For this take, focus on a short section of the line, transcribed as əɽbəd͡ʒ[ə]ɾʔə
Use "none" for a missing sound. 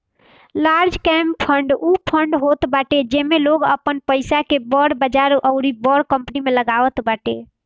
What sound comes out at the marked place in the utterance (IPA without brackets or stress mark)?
a